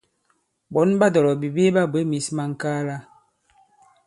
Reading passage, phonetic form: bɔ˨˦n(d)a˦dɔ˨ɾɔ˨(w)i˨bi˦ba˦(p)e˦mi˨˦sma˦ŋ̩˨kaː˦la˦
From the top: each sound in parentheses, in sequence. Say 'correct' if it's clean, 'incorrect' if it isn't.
incorrect, incorrect, incorrect

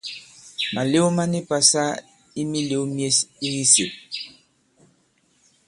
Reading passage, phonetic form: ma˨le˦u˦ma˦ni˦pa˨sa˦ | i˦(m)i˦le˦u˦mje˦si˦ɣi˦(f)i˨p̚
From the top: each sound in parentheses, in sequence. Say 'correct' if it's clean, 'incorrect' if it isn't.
correct, incorrect

